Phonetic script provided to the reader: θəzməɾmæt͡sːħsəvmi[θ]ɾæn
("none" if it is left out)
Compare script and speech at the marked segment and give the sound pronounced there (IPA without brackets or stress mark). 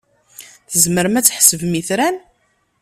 θ